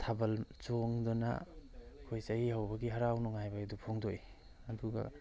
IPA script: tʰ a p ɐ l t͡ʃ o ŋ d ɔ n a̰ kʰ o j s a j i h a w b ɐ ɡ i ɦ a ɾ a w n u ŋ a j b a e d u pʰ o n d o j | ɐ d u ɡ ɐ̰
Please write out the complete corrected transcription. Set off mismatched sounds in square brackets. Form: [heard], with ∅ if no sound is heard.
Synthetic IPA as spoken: tʰ a [b] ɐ l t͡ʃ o ŋ d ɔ n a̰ kʰ o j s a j i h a w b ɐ ɡ i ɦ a ɾ a w n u ŋ a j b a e d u pʰ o [ŋ] d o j | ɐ d u ɡ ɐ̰

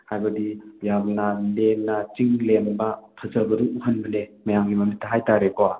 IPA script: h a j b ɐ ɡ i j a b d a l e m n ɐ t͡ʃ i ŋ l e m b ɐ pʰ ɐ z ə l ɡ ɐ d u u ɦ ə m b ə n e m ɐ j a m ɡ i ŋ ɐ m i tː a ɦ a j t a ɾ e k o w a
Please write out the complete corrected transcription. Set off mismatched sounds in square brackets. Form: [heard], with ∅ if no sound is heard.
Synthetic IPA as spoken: h a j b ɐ [d] i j a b [n] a l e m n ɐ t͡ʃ i ŋ l e m b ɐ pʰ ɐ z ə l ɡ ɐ d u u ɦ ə [n] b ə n e m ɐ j a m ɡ i [m] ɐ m i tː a ɦ a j t a ɾ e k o w a

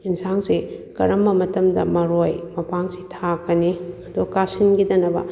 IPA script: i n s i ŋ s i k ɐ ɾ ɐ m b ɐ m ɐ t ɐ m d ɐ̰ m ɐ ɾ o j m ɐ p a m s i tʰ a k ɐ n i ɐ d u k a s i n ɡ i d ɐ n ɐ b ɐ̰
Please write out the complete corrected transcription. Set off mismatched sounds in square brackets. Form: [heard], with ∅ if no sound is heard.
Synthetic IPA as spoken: i n s [a] ŋ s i k ɐ ɾ ɐ m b ɐ m ɐ t ɐ m d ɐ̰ m ɐ ɾ o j m ɐ p a [ŋ] s i tʰ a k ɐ n i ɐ d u k a s i n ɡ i d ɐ n ɐ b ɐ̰

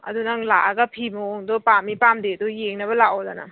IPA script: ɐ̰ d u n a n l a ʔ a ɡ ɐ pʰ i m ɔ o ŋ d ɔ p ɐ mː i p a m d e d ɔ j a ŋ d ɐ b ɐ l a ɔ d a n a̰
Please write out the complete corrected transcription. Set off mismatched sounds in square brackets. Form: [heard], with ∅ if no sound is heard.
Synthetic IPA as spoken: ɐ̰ d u n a [ŋ] l a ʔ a ɡ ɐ pʰ i m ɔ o ŋ d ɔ p [a] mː i p a m d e d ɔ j [e] ŋ [n] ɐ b ɐ l a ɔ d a n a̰

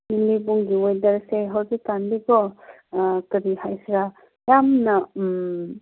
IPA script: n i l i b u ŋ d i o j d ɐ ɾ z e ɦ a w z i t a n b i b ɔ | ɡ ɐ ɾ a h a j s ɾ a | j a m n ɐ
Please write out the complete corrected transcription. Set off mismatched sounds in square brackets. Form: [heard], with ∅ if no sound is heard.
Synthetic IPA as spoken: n i l i b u ŋ [ɡ] i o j d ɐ ɾ [s] e ɦ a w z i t a n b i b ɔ | [k] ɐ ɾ [i] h a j s ɾ a | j a m n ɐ

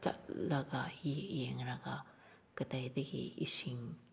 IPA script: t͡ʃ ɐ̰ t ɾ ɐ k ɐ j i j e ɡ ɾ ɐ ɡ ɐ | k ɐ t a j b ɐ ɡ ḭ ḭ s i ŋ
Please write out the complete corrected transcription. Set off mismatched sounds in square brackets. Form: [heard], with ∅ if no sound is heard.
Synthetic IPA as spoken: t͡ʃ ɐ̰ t [l] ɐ [ɡ] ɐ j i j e [ŋ] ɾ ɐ ɡ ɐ | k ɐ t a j [d] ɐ ɡ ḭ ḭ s i ŋ

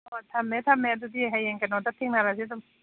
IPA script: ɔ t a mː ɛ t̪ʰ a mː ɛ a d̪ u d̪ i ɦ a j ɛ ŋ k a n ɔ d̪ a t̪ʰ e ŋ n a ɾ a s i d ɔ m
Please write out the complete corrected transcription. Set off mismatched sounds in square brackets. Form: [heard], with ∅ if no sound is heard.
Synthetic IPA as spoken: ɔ [tʰ] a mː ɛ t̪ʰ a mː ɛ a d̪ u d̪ i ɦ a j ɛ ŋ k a n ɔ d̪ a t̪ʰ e ŋ n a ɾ a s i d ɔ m

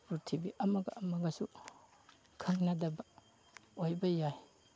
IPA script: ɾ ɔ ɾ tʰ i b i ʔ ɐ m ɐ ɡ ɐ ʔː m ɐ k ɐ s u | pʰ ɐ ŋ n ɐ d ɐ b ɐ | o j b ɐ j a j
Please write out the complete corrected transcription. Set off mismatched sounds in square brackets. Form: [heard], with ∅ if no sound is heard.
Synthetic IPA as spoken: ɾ [u] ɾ tʰ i b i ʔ ɐ m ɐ ɡ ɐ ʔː m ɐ [ɡ] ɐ s u | [kʰ] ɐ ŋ n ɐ d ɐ b ɐ | o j b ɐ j a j

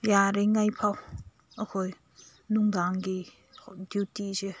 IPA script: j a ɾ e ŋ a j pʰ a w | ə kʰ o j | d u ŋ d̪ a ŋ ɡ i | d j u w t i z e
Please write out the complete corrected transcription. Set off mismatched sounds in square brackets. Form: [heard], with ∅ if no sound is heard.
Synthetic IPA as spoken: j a ɾ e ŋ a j pʰ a w | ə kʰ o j | [n] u ŋ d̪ a ŋ ɡ i | d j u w t i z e

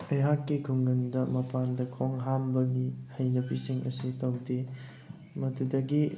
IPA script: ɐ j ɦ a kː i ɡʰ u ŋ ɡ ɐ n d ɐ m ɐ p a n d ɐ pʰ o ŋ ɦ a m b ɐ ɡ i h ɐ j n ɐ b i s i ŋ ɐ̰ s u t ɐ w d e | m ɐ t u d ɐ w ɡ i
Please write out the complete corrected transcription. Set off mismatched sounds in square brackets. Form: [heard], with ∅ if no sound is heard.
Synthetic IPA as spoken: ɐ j ɦ a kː i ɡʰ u ŋ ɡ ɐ n d ɐ m ɐ p a n d ɐ [kʰ] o ŋ ɦ a m b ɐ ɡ i h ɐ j n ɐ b i s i ŋ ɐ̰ s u t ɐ w d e | m ɐ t u d ɐ [∅] ɡ i

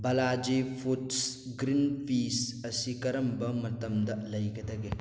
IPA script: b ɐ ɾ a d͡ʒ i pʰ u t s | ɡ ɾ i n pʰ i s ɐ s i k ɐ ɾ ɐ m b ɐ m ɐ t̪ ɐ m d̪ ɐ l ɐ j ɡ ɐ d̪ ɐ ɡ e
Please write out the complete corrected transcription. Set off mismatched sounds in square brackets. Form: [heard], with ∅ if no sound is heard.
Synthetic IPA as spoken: b ɐ [l] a d͡ʒ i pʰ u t s | ɡ ɾ i n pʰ i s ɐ s i k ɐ ɾ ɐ m b ɐ m ɐ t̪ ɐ m d̪ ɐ l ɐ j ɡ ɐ d̪ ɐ ɡ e

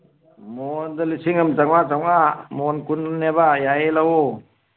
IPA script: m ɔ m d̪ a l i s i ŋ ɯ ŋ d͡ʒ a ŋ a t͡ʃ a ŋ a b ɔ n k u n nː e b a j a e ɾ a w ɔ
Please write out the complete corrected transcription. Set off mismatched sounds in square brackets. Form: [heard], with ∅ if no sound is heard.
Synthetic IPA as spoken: m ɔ [n] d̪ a l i s i ŋ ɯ [m] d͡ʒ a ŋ a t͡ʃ a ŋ a [m] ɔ n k u n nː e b a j a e [l] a w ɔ

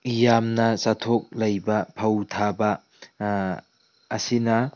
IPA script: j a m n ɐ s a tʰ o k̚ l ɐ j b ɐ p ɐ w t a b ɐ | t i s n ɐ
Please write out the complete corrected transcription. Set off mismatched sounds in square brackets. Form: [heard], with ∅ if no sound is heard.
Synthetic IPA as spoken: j a m n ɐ s a tʰ o k̚ l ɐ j b ɐ [pʰ] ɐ w [tʰ] a b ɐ | [s] i [∅] n ɐ

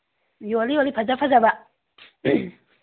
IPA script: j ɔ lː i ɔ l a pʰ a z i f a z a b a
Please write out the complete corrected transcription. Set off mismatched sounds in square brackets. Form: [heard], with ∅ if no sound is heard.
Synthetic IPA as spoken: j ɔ [l] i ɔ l [i] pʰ a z [a] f a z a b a

